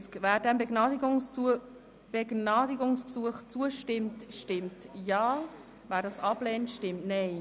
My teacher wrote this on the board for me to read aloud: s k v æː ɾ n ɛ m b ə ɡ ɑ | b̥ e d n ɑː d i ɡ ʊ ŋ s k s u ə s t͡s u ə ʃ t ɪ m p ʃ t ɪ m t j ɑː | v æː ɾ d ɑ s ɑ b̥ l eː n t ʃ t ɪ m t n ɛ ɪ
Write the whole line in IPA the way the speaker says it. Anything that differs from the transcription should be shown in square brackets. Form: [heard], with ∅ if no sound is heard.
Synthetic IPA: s k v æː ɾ [d] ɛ m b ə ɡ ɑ | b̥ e [ɡ] n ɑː d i ɡ ʊ ŋ s k s u ə [χ] t͡s u ə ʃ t ɪ m [t] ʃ t ɪ m t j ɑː | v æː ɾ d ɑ s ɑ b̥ l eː n t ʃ t ɪ m t n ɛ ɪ